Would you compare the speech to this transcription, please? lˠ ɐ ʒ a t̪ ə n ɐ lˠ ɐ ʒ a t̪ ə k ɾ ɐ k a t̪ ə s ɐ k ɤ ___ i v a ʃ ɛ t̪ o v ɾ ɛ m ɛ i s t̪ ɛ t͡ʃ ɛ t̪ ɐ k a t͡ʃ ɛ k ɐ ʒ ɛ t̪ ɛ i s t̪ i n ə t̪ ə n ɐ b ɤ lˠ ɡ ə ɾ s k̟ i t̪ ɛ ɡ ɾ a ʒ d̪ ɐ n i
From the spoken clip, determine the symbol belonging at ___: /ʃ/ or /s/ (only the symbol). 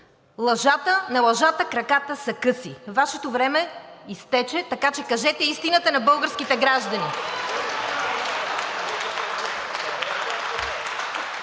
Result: s